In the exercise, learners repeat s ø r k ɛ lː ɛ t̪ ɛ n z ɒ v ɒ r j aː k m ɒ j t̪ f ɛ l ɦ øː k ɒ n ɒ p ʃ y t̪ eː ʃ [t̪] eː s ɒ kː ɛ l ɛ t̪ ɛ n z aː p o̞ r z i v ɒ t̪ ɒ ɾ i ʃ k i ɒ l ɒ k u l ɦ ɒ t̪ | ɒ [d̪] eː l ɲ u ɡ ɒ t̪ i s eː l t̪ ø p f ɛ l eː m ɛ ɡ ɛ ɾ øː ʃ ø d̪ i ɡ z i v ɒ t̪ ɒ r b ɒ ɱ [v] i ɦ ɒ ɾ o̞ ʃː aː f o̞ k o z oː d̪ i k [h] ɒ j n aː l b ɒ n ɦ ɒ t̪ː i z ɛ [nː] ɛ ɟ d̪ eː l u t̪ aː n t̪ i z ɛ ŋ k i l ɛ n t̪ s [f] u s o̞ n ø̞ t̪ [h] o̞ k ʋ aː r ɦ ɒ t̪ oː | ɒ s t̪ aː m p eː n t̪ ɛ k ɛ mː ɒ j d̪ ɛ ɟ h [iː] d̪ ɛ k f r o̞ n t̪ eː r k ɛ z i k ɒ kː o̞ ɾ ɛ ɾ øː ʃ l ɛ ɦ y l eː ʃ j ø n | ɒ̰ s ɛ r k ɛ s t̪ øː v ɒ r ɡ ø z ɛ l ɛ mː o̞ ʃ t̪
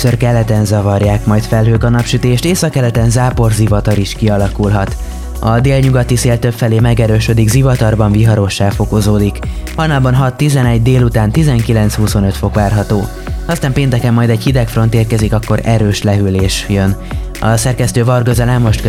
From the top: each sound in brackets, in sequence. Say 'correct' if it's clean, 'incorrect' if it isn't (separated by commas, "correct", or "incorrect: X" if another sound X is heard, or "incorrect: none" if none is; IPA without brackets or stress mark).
correct, correct, correct, correct, incorrect: n, incorrect: h, incorrect: f, incorrect: i